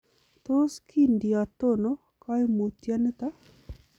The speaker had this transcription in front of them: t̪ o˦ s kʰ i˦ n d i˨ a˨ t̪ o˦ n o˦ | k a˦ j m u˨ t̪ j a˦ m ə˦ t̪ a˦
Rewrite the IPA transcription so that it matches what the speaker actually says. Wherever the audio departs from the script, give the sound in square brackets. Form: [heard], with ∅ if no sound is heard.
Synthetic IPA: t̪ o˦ s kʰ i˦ n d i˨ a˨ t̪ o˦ n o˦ | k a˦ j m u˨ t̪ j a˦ [n] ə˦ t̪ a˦